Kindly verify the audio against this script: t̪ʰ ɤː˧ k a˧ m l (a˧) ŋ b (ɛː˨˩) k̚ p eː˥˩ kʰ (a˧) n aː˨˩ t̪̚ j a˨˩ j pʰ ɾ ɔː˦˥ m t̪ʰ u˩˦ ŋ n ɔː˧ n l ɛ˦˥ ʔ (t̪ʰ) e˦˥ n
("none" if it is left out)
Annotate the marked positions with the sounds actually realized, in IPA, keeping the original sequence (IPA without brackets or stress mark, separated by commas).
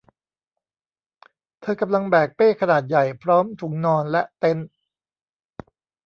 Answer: a˧, ɛː˨˩, a˧, t̪